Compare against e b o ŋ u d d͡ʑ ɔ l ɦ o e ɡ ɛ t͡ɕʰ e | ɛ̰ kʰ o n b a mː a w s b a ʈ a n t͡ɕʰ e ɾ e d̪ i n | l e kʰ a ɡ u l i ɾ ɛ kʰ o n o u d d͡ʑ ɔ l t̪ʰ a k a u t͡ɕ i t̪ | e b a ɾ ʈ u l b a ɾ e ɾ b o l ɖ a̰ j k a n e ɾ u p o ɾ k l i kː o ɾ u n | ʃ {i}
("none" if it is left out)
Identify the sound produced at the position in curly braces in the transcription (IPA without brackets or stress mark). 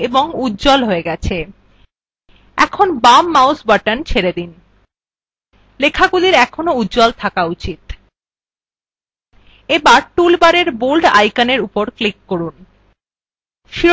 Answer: i